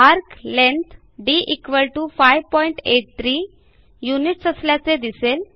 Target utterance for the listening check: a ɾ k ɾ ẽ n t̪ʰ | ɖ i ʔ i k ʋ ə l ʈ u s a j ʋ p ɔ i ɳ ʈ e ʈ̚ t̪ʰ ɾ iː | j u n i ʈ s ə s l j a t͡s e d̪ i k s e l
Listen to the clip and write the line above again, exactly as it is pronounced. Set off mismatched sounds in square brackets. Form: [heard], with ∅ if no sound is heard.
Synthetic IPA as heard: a ɾ k [l] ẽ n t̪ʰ | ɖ i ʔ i k ʋ ə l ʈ u [f] a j ʋ p ɔ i ɳ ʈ e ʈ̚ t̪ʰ ɾ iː | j u n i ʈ s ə s l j a t͡s e d̪ i [∅] s e l